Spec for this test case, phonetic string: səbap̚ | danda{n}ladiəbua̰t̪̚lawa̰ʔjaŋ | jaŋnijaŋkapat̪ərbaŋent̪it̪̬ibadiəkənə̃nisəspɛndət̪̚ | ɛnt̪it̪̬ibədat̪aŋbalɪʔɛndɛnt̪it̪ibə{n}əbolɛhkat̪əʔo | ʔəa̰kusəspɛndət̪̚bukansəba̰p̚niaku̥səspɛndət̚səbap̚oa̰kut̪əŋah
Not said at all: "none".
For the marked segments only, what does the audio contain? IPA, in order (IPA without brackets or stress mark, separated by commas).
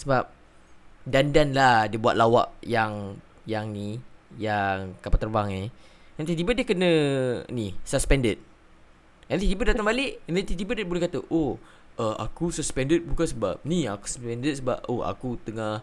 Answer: n, d